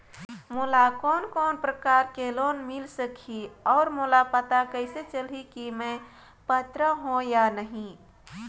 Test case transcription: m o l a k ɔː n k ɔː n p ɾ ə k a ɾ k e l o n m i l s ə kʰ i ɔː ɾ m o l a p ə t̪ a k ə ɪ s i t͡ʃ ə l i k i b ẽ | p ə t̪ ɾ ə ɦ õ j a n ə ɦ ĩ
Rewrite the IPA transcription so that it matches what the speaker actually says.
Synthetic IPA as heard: m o l a k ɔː n k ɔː n p ɾ ə k a ɾ k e l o n m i l s ə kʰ i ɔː ɾ m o l a p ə t̪ a k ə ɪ s e t͡ʃ ə l i k i m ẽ | p ə t̪ ɾ ə ɦ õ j a n ə ɦ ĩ